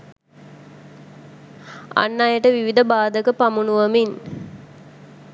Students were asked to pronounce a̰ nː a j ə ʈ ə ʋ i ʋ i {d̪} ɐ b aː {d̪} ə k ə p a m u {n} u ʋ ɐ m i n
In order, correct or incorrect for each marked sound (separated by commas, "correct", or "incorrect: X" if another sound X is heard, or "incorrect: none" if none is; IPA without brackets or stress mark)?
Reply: correct, correct, correct